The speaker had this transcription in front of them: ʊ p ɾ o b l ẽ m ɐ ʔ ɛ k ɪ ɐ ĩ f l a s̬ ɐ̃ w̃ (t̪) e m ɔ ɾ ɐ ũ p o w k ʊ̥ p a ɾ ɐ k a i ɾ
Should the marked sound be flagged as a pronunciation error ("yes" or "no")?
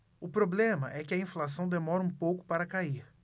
yes